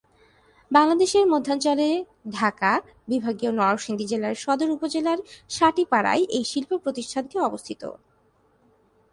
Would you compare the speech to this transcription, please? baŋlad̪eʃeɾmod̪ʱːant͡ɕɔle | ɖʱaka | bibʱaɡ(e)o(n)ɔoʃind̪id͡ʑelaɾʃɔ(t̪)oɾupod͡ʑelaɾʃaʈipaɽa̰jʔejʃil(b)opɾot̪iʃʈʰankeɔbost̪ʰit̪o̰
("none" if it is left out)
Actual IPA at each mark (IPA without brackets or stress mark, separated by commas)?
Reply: i, n, d̪, p